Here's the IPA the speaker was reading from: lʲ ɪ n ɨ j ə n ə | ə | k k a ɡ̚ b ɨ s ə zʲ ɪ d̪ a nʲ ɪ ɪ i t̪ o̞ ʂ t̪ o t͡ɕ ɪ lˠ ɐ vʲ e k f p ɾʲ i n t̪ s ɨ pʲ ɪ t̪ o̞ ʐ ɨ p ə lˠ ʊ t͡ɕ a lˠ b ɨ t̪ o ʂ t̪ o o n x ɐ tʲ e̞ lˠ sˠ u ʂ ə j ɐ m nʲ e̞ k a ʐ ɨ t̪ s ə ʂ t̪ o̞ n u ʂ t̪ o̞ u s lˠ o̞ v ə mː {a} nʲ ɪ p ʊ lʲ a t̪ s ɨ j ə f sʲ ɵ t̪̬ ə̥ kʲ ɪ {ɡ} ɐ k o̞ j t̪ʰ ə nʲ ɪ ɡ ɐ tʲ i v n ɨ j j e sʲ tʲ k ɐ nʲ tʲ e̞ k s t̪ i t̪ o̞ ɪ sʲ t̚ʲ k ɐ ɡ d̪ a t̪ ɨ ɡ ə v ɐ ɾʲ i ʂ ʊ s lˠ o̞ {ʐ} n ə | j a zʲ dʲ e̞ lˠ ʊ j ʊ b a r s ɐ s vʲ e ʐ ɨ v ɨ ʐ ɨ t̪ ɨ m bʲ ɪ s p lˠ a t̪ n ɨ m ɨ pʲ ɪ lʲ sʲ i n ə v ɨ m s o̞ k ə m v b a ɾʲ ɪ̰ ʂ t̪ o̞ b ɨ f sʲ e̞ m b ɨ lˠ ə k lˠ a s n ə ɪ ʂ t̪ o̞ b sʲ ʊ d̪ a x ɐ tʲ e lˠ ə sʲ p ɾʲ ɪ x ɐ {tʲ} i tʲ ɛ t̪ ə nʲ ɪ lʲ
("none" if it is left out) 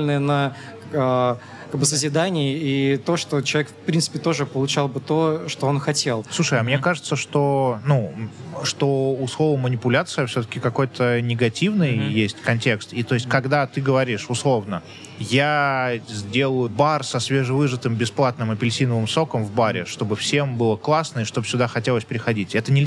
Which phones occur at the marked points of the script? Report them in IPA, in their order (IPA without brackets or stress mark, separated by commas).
ə, k, v, dʲ